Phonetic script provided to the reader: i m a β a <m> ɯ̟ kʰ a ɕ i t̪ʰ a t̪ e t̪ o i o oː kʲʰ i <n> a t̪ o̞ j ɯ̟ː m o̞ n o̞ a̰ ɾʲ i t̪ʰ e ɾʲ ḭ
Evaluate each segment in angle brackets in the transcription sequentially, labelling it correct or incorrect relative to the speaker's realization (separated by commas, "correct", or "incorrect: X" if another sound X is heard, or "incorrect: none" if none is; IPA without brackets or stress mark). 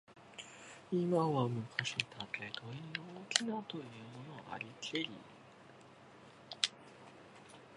correct, correct